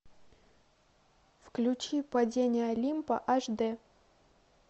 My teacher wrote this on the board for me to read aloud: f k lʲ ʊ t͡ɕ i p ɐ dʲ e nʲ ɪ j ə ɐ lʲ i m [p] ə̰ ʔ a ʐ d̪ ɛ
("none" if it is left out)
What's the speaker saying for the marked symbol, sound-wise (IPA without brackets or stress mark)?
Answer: p